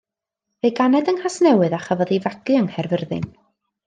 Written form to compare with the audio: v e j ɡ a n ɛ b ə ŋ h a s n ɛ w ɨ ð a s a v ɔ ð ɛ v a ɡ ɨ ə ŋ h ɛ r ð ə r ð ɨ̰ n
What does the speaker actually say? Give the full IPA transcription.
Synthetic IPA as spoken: v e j ɡ a n ɛ d ə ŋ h a s n ɛ w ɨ ð a χ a v ɔ ð i v a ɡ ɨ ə ŋ h ɛ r v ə r ð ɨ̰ n